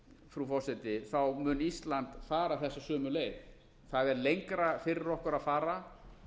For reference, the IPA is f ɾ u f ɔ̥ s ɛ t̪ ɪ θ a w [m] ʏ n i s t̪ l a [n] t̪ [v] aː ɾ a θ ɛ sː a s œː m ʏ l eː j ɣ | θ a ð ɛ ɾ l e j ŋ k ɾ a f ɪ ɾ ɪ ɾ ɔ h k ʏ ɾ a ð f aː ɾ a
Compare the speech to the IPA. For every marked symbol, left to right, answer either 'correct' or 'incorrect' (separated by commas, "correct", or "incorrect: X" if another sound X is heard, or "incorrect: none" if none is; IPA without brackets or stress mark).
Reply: correct, correct, incorrect: f